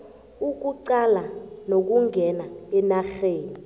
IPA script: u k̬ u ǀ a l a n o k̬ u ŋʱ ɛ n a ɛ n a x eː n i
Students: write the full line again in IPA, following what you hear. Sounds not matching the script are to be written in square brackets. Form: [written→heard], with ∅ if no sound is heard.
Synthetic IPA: u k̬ u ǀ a l a n o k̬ u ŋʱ ɛ n a ɛ n a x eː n i